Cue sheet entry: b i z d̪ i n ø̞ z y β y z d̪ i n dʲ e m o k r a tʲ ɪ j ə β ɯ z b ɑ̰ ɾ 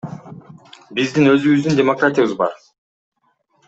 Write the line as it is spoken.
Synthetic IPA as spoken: b i z d̪ i n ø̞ z y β y z d̪ y n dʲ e m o k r a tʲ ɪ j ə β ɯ z b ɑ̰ ɾ